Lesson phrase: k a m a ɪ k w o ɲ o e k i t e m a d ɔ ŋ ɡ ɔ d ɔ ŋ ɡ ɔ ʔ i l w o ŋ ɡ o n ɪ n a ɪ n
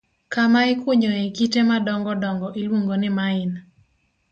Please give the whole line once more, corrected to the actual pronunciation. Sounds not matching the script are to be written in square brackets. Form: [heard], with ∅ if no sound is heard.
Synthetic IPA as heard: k a m a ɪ k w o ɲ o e k i t e m a d ɔ ŋ ɡ ɔ d ɔ ŋ ɡ ɔ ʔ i l w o ŋ ɡ o n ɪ [m] a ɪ n